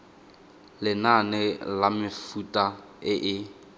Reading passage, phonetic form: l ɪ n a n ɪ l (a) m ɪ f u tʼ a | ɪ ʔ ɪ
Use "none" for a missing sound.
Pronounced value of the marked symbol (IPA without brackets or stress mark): a